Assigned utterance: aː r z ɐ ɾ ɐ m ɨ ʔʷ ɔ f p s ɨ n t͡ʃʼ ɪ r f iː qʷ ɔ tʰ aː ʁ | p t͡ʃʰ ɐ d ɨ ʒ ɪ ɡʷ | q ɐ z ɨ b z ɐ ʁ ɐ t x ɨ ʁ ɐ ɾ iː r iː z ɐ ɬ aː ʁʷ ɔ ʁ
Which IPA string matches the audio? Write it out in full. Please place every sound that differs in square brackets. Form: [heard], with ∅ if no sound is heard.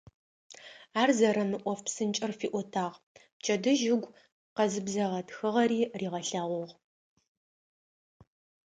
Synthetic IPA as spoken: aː r z ɐ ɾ ɐ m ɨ ʔʷ ɔ f p s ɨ n t͡ʃʼ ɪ r f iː [ʔʷ] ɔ tʰ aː ʁ | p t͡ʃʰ ɐ d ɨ ʒ ɪ ɡʷ | q ɐ z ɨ b z ɐ ʁ ɐ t x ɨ ʁ ɐ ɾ iː r iː [ʁ] ɐ ɬ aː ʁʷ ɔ ʁ